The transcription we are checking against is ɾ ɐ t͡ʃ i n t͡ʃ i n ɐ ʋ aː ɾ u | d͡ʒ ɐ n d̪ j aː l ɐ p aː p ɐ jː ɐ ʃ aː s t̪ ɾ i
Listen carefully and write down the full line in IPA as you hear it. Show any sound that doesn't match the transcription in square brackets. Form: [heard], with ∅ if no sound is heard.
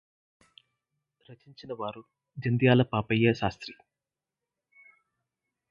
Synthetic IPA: ɾ ɐ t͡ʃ i [ɲ] t͡ʃ i n ɐ ʋ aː ɾ u | d͡ʒ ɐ n d̪ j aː l ɐ p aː p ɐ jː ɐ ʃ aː s t̪ ɾ i